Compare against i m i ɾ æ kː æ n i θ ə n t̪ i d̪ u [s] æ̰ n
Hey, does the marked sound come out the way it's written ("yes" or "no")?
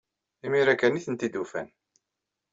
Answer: no